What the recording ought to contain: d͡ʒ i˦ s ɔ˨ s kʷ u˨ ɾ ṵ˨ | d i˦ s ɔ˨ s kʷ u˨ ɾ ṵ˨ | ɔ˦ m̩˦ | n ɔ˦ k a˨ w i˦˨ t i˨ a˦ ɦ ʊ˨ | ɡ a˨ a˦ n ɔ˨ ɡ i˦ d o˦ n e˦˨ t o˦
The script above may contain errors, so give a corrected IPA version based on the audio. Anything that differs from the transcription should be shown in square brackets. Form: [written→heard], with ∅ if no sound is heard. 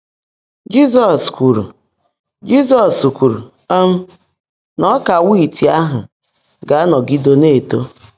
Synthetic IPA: d͡ʒ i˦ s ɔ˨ s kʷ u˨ ɾ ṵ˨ | [d→d͡ʒ] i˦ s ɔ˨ s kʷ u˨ ɾ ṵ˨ | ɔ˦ m̩˦ | n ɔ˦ k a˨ w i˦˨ t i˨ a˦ ɦ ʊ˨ | ɡ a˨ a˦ n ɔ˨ ɡ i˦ d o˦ n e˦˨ t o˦